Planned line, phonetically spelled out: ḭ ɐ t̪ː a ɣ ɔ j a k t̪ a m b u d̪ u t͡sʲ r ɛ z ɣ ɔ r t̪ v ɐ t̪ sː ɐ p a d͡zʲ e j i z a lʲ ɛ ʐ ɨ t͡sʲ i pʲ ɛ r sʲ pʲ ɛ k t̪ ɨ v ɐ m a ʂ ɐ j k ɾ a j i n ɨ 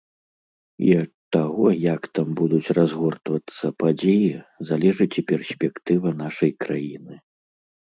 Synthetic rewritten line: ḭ ɐ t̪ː a ɣ ɔ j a k t̪ a m b u d̪ u t͡sʲ r a z ɣ ɔ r t̪ v ɐ t̪ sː ɐ p a d͡zʲ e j i z a lʲ ɛ ʐ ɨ t͡sʲ i pʲ ɛ r sʲ pʲ ɛ k t̪ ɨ v ɐ n a ʂ ɐ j k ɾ a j i n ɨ